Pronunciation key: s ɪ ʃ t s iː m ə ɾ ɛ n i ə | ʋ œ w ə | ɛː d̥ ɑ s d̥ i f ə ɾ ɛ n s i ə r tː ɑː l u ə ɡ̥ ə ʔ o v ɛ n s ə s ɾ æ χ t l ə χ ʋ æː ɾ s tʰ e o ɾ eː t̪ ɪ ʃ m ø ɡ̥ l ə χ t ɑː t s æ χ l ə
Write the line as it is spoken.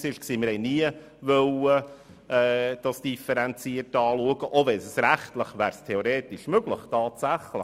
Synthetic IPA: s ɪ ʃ k s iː m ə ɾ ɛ n i ə | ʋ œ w ə | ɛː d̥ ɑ s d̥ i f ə ɾ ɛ n t͡s i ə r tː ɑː l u ə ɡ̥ ə ʔ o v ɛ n s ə s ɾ æ χ t l ə χ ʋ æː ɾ s tʰ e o ɾ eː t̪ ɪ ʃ m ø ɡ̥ l ə χ t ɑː t s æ χ l ə